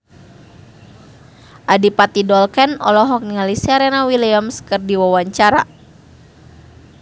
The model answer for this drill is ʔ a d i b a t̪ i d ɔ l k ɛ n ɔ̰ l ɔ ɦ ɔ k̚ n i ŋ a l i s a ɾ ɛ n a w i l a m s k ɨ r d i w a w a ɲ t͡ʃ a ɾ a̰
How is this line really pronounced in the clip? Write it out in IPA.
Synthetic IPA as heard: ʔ a d i p a t̪ i d ɔ l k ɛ n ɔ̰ l ɔ ɦ ɔ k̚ n i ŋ a l i s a ɾ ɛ n a w i l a m s k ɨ r d i w a w a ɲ t͡ʃ a ɾ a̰

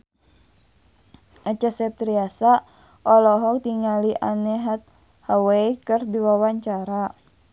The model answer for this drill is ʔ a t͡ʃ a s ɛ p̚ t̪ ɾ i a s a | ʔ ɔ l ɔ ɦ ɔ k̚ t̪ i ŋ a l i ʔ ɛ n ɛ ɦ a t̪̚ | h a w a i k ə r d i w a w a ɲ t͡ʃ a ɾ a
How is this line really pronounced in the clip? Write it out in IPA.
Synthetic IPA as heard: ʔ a t͡ʃ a s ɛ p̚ t̪ ɾ i a s a | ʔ ɔ l ɔ ɦ ɔ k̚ t̪ i ŋ a l i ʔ a n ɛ ɦ a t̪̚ | h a w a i k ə r d i w a w a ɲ t͡ʃ a ɾ a

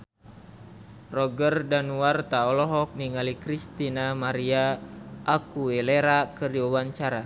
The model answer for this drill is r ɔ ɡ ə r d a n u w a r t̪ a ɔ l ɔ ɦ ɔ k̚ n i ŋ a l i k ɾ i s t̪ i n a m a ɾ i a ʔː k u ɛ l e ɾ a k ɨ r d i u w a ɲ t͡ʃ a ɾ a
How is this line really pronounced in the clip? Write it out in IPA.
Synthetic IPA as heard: r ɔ ɡ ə r d a n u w a r t̪ a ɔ l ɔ ɦ ɔ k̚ n i ŋ a l i k ɾ i s t̪ i n a m a ɾ i a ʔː k u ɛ l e ɾ a k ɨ r d i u w a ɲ t͡ʃ a ɾ a

